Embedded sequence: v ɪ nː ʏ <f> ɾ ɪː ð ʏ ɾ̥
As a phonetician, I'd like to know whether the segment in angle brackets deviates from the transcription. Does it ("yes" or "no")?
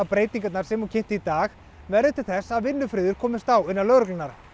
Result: no